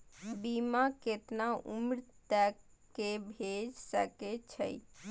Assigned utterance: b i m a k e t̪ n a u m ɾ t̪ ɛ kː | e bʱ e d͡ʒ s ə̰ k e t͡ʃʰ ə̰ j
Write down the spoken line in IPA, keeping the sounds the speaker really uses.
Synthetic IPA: b i m a k e t̪ n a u m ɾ t̪ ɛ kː | e bʱ e d͡ʒ s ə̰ k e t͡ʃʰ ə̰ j